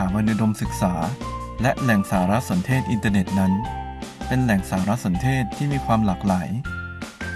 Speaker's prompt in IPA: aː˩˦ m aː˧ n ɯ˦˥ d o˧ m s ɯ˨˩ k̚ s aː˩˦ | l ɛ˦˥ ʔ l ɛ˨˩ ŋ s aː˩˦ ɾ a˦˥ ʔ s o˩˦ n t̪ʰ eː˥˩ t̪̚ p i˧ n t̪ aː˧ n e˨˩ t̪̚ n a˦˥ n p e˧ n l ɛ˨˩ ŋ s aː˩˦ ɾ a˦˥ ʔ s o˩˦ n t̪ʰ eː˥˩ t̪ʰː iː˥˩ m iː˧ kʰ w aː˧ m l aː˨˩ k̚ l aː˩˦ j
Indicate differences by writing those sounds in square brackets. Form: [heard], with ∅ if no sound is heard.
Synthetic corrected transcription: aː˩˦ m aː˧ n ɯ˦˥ d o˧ m s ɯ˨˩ k̚ s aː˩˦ | l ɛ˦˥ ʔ l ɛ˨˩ ŋ s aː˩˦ ɾ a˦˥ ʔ s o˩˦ n t̪ʰ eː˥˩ t̪̚ [ʔ] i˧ n t̪ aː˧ n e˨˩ t̪̚ n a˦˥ n p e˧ n l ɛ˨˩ ŋ s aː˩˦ ɾ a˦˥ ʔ s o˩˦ n t̪ʰ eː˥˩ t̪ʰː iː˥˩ m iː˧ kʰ w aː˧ m l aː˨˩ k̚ l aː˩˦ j